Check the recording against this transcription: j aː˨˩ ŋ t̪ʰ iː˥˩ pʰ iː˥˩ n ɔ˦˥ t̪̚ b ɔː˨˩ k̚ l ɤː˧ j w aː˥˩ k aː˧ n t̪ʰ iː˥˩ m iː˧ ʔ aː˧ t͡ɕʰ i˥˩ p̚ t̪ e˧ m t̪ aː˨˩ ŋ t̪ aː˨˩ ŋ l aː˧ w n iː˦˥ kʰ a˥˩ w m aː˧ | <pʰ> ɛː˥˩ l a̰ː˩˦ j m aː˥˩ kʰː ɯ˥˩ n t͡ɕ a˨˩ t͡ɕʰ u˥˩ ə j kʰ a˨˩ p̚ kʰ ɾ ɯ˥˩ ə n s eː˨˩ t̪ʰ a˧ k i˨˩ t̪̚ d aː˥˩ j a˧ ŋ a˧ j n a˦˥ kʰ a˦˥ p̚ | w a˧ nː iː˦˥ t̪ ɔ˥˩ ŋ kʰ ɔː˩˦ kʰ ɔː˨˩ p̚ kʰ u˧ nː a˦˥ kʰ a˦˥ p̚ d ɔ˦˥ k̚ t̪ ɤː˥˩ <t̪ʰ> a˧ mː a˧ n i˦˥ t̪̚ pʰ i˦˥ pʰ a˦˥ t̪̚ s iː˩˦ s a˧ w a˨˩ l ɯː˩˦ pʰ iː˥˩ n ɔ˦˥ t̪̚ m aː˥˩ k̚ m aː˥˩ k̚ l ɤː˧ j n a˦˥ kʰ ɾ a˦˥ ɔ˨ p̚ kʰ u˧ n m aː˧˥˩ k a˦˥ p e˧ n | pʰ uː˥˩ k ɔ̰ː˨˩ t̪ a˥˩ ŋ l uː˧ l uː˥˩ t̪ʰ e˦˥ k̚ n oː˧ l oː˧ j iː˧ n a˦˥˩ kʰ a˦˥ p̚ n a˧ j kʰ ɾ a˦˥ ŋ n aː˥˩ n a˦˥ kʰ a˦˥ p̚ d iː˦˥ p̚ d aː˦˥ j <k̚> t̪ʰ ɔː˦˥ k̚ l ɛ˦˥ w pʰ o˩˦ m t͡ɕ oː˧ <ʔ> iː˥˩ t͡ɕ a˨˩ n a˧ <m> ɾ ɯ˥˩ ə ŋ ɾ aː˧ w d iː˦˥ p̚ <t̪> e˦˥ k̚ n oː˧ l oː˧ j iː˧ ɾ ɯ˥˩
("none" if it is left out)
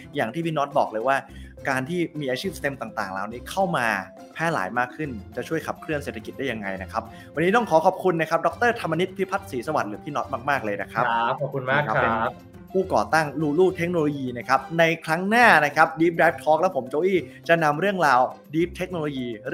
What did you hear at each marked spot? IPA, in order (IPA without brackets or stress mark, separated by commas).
pʰ, t̪ʰ, p̚, ʔ, m, t̪ʰ